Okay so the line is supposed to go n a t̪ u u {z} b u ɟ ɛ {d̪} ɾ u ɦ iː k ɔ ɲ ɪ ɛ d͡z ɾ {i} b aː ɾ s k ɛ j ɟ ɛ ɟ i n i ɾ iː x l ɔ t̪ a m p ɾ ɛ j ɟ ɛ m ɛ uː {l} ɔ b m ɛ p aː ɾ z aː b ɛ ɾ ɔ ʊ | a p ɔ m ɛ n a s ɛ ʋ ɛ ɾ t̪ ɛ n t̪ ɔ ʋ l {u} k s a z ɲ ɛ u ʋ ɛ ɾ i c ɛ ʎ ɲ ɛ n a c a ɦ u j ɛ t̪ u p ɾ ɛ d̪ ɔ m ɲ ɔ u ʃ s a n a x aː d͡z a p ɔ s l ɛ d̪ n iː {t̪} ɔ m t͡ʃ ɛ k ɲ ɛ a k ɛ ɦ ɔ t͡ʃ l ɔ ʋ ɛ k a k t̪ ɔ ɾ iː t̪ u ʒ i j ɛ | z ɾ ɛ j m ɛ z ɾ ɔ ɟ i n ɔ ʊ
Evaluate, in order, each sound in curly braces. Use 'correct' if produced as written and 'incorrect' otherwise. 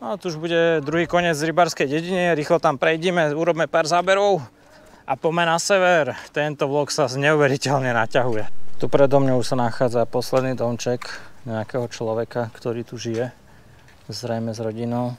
incorrect: ʒ, correct, correct, incorrect: ɾ, incorrect: ɔ, incorrect: d̪

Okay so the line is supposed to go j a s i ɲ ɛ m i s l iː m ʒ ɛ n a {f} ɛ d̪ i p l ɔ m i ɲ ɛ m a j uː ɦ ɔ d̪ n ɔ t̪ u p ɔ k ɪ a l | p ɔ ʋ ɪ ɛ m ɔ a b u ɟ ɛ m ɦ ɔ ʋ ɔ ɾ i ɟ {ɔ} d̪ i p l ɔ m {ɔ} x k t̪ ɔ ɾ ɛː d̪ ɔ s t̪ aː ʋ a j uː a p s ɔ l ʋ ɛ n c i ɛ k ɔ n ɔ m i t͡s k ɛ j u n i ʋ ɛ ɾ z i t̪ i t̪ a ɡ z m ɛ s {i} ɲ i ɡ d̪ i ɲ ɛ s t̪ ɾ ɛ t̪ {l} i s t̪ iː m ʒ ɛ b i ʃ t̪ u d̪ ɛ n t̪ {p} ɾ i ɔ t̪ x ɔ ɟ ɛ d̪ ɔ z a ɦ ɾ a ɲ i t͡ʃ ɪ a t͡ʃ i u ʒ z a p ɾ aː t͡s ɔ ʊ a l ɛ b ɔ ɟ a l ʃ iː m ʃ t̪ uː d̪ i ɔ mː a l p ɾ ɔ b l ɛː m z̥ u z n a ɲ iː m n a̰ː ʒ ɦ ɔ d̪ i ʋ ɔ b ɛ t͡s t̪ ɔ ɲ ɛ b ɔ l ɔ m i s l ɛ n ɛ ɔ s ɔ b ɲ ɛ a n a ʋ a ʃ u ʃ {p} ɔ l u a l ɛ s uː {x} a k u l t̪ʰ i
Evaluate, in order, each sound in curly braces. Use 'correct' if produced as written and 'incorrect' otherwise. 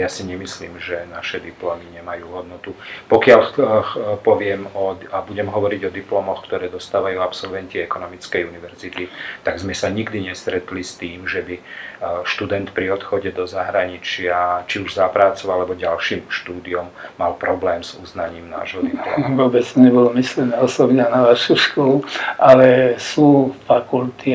incorrect: ʃ, correct, correct, incorrect: a, correct, correct, incorrect: k, incorrect: f

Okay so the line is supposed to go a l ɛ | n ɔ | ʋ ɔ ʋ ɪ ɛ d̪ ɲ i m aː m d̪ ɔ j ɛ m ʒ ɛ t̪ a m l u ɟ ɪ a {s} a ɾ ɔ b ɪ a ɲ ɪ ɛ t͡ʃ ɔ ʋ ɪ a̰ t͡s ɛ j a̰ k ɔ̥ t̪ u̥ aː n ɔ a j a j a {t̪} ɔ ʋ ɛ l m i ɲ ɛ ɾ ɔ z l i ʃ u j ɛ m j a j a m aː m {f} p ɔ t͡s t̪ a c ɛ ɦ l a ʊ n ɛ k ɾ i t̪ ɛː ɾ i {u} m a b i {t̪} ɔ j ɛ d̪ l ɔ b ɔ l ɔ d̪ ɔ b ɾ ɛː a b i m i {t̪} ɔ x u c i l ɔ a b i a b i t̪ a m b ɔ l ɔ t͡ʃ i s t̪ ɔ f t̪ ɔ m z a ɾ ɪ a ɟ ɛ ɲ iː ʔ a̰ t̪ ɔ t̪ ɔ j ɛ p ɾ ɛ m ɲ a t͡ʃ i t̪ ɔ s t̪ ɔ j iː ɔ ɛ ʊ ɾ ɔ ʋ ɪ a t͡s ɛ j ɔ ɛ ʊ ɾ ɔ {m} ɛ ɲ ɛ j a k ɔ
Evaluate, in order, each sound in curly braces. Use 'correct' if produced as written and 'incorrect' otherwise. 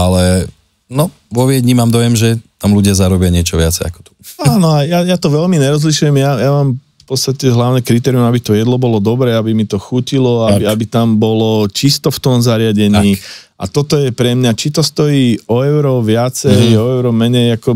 incorrect: z, correct, correct, correct, correct, correct, correct

